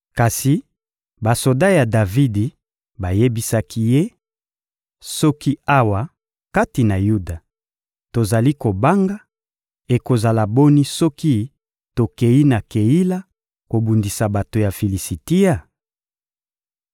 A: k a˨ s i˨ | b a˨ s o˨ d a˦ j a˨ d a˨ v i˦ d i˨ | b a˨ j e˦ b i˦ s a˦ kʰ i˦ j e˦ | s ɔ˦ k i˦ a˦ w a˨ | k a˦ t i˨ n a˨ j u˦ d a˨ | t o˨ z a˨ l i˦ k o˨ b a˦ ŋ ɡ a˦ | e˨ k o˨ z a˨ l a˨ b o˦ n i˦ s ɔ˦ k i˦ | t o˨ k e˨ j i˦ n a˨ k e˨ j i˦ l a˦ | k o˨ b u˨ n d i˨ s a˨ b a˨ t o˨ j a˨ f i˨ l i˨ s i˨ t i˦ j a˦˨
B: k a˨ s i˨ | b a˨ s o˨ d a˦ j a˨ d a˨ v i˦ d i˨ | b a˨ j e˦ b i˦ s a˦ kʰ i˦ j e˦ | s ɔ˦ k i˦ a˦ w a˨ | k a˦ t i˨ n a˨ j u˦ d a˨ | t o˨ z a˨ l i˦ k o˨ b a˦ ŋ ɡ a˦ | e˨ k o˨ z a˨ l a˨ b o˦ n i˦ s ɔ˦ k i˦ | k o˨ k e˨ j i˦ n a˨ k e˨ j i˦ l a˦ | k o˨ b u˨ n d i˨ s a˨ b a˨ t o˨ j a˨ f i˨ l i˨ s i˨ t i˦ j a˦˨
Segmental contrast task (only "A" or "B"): A